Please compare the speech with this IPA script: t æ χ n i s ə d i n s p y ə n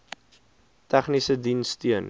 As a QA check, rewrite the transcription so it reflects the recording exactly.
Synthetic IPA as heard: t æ χ n i s ə d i n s t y ə n

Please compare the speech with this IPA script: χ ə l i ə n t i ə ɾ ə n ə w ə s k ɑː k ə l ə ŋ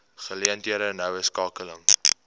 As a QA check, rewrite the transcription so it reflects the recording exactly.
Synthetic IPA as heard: χ ə l i ə n t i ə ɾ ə n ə w ə s k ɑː k ə l ə ŋ

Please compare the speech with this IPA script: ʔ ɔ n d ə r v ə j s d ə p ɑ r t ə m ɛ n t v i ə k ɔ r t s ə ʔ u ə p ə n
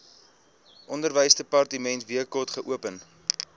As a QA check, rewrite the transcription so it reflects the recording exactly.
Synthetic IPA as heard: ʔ ɔ n d ə r v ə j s d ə p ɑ r t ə m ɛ n t v i ə k ɔ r t χ ə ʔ u ə p ə n

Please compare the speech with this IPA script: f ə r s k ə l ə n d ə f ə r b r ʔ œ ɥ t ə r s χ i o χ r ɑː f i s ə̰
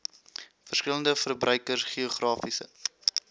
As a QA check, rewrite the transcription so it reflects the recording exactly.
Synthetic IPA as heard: f ə r s k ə l ə n d ə f ə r b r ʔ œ ɥ k ə r s χ i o χ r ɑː f i s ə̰

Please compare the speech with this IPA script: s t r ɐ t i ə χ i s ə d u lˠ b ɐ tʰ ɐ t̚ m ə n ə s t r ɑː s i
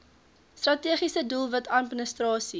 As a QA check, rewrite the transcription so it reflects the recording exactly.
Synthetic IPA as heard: s t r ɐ t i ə χ i s ə d u lˠ v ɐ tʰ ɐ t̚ m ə n ə s t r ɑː s i

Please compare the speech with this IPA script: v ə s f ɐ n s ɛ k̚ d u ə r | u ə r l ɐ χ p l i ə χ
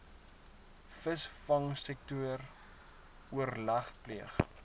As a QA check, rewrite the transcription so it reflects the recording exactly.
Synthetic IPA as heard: f ə s f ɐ ŋ s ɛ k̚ t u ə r | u ə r l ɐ χ p l i ə χ

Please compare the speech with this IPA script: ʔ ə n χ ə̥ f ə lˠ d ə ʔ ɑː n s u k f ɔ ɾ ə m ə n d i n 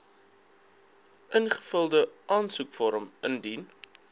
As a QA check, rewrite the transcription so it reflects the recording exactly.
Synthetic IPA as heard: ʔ ə n χ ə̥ f ə lˠ d ə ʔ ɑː n s u k f ɔ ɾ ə m ə n d i n

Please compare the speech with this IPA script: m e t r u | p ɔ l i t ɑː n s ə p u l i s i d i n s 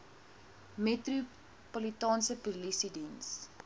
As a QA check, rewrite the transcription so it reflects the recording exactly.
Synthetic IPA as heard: m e t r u | p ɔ l i t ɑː n s ə p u l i s i d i n s

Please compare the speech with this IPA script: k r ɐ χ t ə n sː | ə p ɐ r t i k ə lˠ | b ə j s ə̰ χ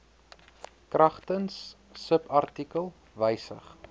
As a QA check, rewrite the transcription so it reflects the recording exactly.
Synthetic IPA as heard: k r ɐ χ t ə n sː | ə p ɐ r t i k ə lˠ | v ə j s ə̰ χ

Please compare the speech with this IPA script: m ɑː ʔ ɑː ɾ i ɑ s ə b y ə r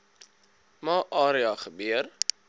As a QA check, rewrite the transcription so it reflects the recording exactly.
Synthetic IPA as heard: m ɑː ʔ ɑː ɾ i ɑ χ ə b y ə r

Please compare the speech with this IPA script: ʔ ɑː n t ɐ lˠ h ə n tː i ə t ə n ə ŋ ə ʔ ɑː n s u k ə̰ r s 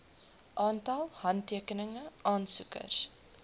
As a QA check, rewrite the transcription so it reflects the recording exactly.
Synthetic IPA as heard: ʔ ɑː n t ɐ lˠ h ɐ n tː i ə k ə n ə ŋ ə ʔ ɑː n s u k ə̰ r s

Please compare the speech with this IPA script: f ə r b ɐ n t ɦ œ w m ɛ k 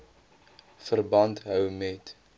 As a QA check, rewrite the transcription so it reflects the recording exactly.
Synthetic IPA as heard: f ə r b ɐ n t ɦ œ w m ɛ t

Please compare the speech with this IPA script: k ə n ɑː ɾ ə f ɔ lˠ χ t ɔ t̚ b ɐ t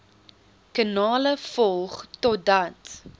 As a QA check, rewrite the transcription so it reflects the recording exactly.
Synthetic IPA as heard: k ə n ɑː l ə f ɔ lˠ χ t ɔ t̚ d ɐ t

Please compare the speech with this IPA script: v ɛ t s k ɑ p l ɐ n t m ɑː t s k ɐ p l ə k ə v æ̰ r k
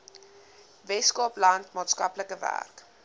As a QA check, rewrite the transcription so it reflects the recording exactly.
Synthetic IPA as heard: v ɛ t s k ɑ p l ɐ n t m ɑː t s k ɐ p l ə k ə v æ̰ r k

